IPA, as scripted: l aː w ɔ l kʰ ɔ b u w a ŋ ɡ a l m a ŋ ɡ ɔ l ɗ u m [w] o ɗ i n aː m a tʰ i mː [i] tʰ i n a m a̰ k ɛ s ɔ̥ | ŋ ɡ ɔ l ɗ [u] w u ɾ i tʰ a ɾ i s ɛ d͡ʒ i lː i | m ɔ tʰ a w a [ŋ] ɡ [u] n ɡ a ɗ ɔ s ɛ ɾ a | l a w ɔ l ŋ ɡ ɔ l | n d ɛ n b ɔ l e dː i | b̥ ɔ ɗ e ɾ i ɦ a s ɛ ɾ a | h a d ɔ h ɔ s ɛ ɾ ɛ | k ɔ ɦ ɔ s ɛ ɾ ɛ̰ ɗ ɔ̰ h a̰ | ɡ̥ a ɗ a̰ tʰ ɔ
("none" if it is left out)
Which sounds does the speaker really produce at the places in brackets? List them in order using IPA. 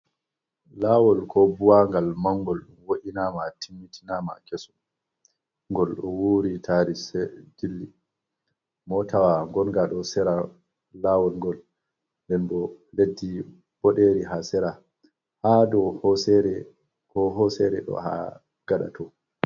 w, i, ɔ, ŋ, ɔ

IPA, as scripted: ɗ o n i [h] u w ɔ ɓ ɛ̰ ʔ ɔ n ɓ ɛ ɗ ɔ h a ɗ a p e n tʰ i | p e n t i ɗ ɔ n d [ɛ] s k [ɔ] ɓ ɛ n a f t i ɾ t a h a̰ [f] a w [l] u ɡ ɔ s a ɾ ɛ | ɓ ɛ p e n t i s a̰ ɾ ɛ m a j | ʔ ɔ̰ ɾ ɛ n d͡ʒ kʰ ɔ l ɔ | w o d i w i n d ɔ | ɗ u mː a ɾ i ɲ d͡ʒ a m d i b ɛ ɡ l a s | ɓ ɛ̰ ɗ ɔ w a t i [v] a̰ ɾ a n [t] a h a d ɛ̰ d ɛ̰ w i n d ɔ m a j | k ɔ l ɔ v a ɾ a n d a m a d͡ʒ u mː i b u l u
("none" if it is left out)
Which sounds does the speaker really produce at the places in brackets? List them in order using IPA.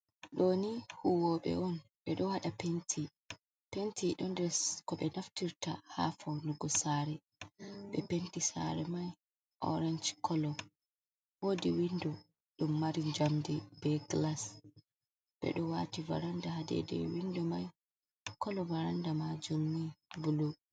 h, ɛ, ɔ, f, l, v, d

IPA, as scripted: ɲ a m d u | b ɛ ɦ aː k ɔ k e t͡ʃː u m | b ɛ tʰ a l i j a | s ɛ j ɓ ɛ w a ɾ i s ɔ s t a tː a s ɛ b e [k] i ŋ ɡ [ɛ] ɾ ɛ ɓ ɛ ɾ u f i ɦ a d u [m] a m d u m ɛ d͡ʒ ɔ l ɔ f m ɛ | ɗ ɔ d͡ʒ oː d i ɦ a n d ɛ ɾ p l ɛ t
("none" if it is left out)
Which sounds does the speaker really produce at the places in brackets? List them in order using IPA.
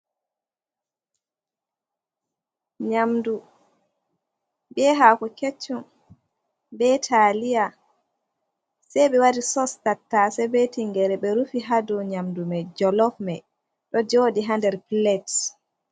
t, ɛ, ɲ

